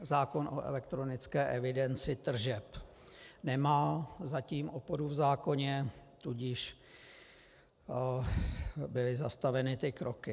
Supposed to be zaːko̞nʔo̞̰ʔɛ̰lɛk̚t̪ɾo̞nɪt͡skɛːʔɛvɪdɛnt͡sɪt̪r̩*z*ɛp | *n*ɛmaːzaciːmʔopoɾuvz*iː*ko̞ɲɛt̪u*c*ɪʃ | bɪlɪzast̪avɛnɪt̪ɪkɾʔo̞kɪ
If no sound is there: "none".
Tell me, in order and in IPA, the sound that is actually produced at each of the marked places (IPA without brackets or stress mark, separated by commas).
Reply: ʒ, n, aː, ɟ